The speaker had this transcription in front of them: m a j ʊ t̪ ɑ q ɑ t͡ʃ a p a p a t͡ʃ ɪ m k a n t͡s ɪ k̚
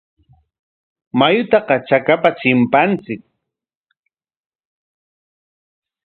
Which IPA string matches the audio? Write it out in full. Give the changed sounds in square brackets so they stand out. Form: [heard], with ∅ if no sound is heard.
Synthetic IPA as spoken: m a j ʊ t̪ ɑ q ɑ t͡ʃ a [k] a p a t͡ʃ ɪ m [p] a n t͡s ɪ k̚